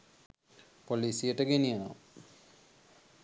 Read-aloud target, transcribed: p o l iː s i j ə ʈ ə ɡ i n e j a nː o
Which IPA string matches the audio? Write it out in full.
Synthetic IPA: p o l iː s i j ə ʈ ə ɡ e n i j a n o